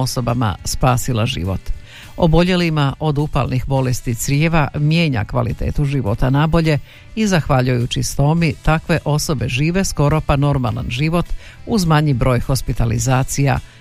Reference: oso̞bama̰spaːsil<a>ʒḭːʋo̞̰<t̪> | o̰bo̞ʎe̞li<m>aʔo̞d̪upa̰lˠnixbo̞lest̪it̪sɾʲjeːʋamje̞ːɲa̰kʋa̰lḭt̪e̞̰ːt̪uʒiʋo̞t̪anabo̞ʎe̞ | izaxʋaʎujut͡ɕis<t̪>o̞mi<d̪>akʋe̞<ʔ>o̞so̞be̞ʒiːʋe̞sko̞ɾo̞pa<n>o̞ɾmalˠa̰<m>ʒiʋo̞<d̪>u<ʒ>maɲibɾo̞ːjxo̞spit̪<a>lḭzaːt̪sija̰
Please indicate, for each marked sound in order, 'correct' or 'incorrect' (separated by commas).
correct, correct, correct, correct, incorrect, correct, correct, incorrect, incorrect, incorrect, correct